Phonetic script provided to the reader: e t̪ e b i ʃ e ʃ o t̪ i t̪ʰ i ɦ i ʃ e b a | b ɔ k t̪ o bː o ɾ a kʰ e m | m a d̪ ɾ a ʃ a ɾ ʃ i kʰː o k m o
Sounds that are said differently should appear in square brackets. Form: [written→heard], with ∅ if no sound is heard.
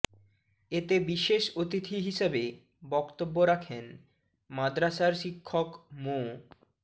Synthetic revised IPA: e t̪ e b i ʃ e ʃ o t̪ i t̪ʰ i ɦ i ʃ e b [a→e] | b ɔ k t̪ o bː o ɾ a kʰ e [m→n] | m a d̪ ɾ a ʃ a ɾ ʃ i kʰː o k m o

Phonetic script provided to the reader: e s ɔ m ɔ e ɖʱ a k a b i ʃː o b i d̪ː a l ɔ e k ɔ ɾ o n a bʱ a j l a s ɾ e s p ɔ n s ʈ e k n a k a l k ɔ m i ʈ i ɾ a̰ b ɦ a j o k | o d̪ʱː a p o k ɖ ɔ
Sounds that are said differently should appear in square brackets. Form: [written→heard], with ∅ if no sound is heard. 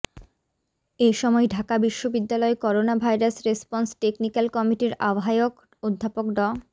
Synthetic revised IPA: e [s→ʃ] ɔ m ɔ e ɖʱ a k a b i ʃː o b i d̪ː a l ɔ e k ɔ ɾ o n a bʱ a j [l→ɾ] a s ɾ e s p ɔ n s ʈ e k n [a→i] k a l k ɔ m i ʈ i ɾ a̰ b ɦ a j o k | o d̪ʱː a p o k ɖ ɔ

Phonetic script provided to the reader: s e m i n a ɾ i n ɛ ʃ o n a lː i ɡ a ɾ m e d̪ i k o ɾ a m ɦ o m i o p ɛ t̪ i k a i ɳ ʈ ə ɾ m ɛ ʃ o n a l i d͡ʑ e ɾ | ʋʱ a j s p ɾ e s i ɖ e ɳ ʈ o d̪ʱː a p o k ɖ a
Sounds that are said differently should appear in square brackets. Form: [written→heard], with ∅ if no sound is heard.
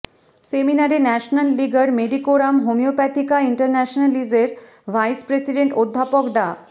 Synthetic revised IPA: s e m i n a ɾ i n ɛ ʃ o n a lː i ɡ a ɾ m e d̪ i k o ɾ a m ɦ o m i o p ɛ t̪ i k a i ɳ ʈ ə ɾ [m→n] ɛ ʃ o n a l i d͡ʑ e ɾ | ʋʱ a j s p ɾ e s i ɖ e ɳ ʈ o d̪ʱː a p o k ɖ a

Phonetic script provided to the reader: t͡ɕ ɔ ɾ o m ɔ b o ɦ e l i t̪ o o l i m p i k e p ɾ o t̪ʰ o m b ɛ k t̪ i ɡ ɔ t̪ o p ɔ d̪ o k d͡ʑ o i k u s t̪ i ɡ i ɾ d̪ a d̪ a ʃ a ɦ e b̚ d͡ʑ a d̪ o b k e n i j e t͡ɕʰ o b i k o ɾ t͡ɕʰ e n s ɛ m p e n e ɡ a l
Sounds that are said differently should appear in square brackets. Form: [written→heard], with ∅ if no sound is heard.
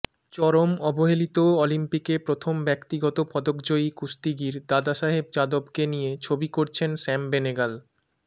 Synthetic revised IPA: t͡ɕ ɔ ɾ o m ɔ b o ɦ e l i t̪ o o l i m p i k e p ɾ o t̪ʰ o m b ɛ k t̪ i ɡ ɔ t̪ o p ɔ d̪ o k d͡ʑ o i k u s t̪ i ɡ i ɾ d̪ a d̪ a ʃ a ɦ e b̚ d͡ʑ a d̪ o b k e n i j e t͡ɕʰ o b i k o ɾ t͡ɕʰ e n s ɛ m [p→b] e n e ɡ a l

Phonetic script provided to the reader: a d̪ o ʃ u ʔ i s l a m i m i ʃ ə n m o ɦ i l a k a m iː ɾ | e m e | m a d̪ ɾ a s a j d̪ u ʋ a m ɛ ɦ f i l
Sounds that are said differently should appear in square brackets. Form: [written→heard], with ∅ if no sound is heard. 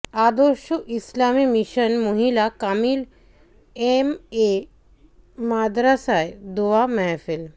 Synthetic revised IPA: a d̪ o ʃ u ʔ i s l a m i m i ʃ ə n m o ɦ i l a k a m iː [ɾ→l] | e m e | m a d̪ ɾ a s a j d̪ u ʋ a m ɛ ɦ f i l

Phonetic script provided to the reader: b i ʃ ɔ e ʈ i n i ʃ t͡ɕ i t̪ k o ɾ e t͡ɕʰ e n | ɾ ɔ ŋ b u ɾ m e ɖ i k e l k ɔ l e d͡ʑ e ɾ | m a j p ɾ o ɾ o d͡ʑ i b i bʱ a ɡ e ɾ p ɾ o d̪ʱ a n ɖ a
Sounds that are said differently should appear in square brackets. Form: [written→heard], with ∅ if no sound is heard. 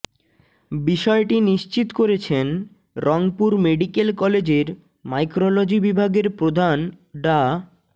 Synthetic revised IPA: b i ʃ ɔ e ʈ i n i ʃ t͡ɕ i t̪ k o ɾ e t͡ɕʰ e n | ɾ ɔ ŋ [b→p] u ɾ m e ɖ i k e l k ɔ l e d͡ʑ e ɾ | m a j [p→k] ɾ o [ɾ→l] o d͡ʑ i b i bʱ a ɡ e ɾ p ɾ o d̪ʱ a n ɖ a

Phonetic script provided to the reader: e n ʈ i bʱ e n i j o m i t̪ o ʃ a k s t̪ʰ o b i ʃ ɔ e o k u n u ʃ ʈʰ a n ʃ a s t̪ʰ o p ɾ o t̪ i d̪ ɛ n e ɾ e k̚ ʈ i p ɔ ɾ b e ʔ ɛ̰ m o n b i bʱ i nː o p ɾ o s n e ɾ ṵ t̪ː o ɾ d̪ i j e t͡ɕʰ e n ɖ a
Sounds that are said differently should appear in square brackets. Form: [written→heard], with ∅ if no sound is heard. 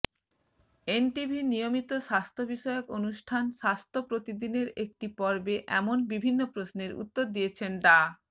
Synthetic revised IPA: e n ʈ i bʱ [e→i] n i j o m i t̪ o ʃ a [k→∅] s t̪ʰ o b i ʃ ɔ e o k [u→o] n u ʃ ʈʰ a n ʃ a s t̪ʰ o p ɾ o t̪ i d̪ [ɛ→i] n e ɾ e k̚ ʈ i p ɔ ɾ b e ʔ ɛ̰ m o n b i bʱ i nː o p ɾ o s n e ɾ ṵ t̪ː o ɾ d̪ i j e t͡ɕʰ e n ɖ a

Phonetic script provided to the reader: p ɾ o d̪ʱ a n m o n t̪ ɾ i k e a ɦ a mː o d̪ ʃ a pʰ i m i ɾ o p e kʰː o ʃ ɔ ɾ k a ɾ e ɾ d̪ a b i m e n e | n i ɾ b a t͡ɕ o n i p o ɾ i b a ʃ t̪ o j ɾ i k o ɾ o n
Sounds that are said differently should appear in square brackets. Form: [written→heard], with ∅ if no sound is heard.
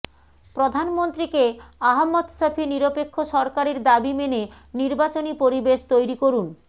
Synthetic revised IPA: p ɾ o d̪ʱ a n m o n t̪ ɾ i k e a ɦ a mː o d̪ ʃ a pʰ i [m→n] i ɾ o p e kʰː o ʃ ɔ ɾ k a ɾ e ɾ d̪ a b i m e n e | n i ɾ b a t͡ɕ o n i p o ɾ i b [a→e] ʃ t̪ o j ɾ i k o ɾ [o→u] n

